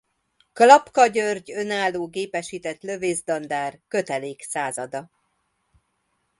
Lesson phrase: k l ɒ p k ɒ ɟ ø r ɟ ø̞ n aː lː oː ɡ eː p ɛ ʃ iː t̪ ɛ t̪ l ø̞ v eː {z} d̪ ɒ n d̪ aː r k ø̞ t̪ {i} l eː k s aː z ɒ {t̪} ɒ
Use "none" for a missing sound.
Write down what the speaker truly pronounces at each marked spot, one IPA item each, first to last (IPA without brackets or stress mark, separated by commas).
z, ɛ, d̪